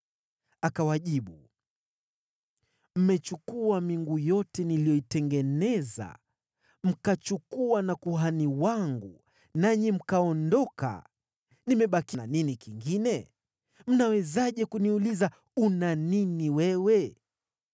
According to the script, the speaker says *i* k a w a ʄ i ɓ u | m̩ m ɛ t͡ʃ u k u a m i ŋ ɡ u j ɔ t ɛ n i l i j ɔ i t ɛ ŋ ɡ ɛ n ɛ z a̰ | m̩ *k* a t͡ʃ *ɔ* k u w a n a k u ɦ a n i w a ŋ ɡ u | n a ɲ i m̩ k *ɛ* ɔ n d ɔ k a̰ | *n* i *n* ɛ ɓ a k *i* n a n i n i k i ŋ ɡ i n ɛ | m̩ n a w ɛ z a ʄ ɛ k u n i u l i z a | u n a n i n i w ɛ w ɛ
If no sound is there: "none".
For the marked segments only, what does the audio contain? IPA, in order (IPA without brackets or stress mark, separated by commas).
a, k, u, a, n, m, i